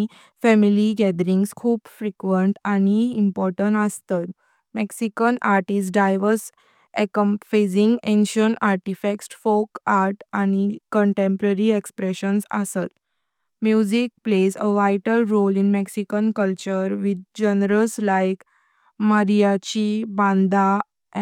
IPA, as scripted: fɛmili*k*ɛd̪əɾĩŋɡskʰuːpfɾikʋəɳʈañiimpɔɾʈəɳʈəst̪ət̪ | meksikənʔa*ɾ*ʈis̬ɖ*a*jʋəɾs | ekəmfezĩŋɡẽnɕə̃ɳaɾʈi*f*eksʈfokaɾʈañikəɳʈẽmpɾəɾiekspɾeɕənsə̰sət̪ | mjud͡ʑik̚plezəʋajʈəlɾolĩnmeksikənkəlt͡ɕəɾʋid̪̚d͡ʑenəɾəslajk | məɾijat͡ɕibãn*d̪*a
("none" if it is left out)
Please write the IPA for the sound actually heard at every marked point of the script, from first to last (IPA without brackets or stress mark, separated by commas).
ɡ, ɾ, a, f, d̪